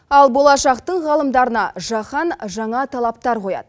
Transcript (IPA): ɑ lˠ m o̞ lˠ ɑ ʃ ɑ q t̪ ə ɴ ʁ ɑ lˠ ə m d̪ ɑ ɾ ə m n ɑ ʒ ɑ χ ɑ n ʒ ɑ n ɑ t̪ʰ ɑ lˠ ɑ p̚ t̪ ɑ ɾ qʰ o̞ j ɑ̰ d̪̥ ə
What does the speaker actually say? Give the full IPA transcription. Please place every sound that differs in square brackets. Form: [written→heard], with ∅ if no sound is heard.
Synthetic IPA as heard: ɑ lˠ [m→b] o̞ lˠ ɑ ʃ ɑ q t̪ ə ɴ ʁ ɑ lˠ ə m d̪ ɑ ɾ ə [m→∅] n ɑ ʒ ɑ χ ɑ n ʒ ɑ [n→ɴ] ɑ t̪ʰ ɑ lˠ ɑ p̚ t̪ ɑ ɾ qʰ o̞ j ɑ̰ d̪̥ ə